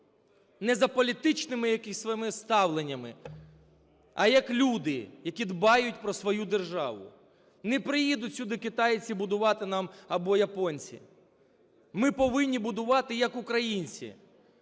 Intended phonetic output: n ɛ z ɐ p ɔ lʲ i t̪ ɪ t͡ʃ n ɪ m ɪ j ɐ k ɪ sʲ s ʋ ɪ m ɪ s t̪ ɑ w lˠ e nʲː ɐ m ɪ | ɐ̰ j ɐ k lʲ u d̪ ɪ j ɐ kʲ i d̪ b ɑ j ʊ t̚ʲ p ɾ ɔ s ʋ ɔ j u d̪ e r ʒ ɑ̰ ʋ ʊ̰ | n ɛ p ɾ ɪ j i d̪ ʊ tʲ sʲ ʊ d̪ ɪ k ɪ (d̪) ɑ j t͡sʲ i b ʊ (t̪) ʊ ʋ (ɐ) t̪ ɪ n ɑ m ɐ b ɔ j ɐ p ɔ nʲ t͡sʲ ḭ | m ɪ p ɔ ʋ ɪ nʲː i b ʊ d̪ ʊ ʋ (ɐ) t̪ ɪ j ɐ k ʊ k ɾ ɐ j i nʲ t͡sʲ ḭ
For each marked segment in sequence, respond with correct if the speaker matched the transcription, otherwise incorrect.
incorrect: t̪, incorrect: d̪, incorrect: ɑ, incorrect: ɑ

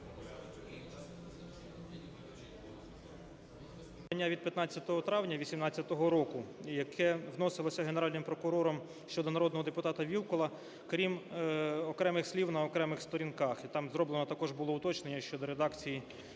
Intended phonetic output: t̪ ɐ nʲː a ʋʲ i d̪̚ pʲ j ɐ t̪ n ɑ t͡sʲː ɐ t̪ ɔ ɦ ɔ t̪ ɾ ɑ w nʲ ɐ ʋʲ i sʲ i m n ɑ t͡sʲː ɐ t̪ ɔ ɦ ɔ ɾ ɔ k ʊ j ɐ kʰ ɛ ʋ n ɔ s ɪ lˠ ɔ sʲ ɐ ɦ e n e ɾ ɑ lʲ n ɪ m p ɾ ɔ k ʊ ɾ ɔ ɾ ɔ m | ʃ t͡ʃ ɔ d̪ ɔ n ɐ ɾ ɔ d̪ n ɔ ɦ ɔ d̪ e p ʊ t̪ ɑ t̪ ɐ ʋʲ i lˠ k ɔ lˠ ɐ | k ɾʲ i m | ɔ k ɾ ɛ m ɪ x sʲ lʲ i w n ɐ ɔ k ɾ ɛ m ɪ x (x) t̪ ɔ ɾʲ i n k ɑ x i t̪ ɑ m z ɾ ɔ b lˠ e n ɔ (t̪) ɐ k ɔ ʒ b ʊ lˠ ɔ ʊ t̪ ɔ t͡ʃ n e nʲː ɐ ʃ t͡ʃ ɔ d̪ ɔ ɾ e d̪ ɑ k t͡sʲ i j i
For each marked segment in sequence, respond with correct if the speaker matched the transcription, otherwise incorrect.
incorrect: s, correct

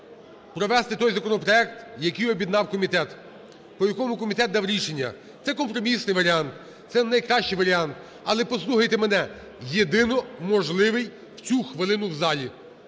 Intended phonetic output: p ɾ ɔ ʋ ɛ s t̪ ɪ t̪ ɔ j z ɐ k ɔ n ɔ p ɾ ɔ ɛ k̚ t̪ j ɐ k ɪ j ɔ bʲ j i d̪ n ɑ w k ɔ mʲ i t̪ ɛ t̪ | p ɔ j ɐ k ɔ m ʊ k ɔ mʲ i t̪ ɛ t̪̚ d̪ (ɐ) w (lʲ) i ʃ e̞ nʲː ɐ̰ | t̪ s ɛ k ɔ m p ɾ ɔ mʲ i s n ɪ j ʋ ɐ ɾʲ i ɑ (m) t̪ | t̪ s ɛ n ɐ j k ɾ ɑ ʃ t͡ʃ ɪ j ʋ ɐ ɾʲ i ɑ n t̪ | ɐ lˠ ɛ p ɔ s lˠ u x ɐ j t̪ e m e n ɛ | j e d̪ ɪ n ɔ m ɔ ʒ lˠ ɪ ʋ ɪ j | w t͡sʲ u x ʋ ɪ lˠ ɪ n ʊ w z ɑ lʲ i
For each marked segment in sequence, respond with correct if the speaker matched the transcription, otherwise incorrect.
incorrect: ɑ, incorrect: ɾʲ, incorrect: n

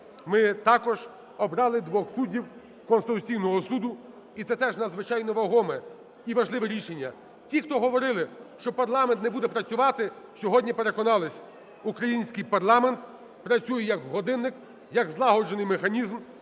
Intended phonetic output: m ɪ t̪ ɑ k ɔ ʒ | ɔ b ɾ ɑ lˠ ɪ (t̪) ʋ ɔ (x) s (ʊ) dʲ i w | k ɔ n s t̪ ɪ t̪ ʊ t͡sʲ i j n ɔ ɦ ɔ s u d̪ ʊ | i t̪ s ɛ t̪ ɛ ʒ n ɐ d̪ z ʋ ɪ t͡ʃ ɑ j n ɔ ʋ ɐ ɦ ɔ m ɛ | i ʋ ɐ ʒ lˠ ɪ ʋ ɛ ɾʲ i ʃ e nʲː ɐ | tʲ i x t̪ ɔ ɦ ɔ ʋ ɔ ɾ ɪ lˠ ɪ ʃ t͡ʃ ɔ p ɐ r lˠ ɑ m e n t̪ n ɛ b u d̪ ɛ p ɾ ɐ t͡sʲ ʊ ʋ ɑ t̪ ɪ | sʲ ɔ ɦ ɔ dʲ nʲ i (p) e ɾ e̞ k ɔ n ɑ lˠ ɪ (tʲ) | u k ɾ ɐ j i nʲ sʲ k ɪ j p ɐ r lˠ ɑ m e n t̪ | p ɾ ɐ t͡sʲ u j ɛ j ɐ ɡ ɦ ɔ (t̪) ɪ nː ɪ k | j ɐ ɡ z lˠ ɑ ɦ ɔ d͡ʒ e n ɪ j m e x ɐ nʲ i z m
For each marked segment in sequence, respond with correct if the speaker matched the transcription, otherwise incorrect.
incorrect: d̪, correct, incorrect: u, correct, incorrect: sʲ, incorrect: d̪

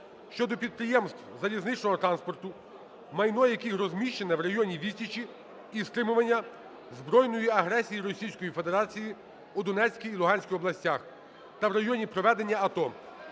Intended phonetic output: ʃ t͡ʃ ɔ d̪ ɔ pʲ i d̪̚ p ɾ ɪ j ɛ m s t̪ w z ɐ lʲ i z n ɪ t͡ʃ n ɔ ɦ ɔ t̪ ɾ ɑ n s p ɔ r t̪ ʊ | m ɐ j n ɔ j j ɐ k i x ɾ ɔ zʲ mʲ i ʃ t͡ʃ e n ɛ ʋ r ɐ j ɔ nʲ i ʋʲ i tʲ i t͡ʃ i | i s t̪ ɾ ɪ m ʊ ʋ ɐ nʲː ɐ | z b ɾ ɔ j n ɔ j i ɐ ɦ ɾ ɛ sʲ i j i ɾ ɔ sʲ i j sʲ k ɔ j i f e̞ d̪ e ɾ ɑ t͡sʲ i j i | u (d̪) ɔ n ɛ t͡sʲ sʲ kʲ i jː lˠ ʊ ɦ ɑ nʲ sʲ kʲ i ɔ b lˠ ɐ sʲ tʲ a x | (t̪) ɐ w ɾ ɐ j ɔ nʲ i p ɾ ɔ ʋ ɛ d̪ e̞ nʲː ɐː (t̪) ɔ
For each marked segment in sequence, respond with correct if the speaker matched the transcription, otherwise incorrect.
correct, correct, correct

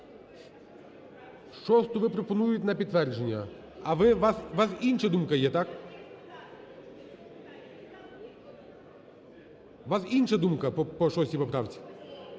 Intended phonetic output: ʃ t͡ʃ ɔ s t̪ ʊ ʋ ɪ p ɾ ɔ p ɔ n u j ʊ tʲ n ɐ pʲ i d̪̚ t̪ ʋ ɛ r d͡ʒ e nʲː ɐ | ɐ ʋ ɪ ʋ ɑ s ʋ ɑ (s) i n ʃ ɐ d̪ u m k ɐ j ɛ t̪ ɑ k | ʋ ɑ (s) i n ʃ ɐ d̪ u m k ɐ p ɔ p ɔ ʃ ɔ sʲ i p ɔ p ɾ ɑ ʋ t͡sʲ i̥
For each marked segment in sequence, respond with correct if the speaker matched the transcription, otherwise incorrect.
correct, correct

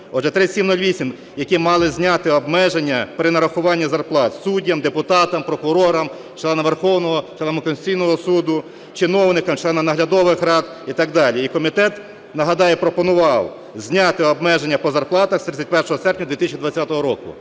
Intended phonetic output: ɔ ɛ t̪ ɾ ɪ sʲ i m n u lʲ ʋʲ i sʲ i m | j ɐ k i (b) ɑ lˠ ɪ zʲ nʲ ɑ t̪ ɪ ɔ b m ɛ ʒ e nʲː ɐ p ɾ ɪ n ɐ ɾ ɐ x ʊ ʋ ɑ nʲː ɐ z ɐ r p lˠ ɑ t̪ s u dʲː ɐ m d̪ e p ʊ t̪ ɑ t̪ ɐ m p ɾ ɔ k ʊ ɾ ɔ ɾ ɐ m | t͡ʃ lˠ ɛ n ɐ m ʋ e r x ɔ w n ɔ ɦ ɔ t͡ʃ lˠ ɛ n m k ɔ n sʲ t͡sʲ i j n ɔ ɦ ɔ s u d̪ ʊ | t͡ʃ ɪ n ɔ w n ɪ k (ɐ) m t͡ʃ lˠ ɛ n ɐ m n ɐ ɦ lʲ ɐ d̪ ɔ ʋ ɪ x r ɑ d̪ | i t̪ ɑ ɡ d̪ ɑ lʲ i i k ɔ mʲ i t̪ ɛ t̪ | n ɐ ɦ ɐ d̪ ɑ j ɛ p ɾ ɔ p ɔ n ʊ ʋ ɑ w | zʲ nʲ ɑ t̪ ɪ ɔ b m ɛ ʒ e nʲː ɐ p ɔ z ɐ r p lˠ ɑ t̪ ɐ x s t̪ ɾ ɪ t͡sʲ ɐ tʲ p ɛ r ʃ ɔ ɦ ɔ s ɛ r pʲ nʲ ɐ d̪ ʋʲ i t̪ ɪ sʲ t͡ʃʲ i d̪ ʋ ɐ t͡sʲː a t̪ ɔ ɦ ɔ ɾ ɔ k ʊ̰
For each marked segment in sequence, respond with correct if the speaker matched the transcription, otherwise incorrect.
incorrect: m, correct

